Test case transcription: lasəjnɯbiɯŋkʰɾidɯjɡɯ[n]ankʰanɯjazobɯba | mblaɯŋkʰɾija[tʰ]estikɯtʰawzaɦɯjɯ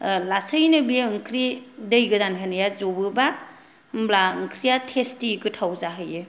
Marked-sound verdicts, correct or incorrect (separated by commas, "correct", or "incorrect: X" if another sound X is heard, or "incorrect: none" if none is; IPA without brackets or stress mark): incorrect: d, correct